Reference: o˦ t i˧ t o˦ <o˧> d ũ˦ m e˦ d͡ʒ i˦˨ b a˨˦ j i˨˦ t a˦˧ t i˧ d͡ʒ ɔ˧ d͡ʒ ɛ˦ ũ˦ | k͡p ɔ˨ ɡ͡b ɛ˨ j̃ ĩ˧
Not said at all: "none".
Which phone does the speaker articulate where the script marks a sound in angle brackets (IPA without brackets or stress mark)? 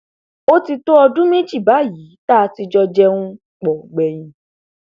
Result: ɔ˧